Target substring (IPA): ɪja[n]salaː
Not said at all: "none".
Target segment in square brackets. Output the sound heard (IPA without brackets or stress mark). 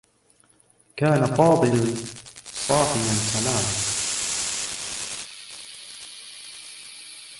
n